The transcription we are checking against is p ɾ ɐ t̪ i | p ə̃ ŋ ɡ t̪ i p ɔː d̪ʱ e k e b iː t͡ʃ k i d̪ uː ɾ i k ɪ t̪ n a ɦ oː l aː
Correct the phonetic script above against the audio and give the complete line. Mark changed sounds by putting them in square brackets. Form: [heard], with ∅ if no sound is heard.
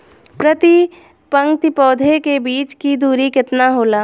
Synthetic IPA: p ɾ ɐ t̪ i | p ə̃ ŋ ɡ t̪ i p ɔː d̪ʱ e k e b iː t͡ʃ k i d̪ uː ɾ i k ɪ t̪ n a ɦ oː l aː